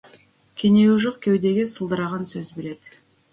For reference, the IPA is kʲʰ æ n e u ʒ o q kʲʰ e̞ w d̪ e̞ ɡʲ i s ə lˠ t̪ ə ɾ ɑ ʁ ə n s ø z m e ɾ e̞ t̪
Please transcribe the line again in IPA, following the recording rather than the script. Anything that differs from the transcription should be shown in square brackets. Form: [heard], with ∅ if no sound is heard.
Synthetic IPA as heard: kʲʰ [e] n e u ʒ o q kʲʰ e̞ w d̪ e̞ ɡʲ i s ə lˠ [d̪] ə ɾ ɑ ʁ [ɑ] n s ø z [b] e ɾ e̞ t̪